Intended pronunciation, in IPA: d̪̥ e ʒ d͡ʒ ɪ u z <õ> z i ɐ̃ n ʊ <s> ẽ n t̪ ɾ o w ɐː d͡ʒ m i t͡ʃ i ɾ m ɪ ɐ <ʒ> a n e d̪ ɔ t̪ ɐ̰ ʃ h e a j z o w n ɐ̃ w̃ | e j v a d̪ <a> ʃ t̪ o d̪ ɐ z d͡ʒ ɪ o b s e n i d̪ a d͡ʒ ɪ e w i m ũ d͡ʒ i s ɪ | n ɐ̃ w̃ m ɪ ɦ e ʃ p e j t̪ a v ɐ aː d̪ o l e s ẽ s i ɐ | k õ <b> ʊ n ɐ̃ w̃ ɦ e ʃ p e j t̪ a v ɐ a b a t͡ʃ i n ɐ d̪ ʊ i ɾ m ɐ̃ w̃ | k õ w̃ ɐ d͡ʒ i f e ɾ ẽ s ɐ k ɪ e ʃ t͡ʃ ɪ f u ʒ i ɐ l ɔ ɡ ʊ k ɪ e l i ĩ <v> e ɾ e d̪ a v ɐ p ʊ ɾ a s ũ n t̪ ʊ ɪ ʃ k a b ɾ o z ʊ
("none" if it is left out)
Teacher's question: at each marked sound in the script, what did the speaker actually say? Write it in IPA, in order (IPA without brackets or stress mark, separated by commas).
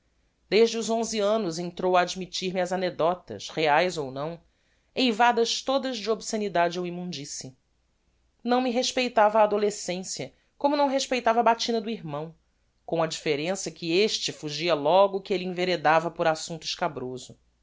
õ, z, z, ɐ, m, v